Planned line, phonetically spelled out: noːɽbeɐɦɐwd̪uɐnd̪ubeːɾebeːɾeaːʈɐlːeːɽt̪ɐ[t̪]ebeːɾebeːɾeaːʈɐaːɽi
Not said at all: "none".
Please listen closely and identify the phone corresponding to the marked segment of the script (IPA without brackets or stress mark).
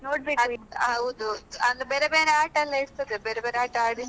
d̪